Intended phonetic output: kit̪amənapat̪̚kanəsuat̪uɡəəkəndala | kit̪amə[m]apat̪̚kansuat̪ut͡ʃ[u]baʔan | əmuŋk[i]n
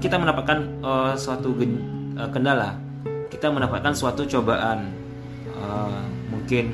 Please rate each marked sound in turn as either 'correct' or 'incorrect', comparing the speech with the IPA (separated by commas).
incorrect, incorrect, incorrect